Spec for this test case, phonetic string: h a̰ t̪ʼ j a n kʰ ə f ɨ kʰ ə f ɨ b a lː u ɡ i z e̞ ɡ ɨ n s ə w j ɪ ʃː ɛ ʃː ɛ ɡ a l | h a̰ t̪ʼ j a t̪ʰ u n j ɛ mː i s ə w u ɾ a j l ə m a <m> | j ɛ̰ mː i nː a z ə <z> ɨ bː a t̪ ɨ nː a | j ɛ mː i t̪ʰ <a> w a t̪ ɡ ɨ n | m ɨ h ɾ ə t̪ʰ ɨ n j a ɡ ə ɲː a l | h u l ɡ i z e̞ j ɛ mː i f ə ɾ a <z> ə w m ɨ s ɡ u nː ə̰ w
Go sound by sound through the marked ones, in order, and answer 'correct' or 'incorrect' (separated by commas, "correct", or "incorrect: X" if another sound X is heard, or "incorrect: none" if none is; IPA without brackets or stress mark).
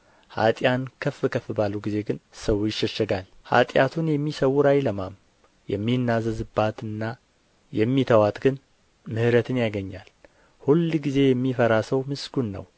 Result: correct, correct, incorrect: ə, incorrect: s